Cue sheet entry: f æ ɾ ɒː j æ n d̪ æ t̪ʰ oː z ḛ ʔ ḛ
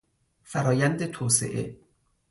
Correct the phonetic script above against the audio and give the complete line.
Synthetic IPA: f æ ɾ ɒː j æ n d̪ e t̪ʰ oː s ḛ ʔ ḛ